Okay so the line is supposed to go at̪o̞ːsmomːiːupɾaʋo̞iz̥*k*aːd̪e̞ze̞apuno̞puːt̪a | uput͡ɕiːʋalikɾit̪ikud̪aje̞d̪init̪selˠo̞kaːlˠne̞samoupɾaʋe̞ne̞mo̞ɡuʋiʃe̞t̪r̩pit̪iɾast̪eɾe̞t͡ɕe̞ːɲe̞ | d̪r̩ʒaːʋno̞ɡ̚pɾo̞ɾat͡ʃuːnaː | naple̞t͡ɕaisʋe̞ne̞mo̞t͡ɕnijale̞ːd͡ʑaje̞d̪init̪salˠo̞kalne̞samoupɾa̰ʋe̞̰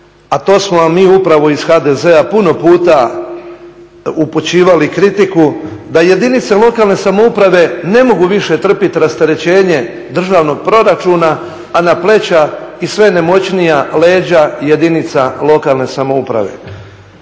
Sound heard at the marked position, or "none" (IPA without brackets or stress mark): x